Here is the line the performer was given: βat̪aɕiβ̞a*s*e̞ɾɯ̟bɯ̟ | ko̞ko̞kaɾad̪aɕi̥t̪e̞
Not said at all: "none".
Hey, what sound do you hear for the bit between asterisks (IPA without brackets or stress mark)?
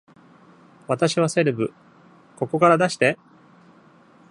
s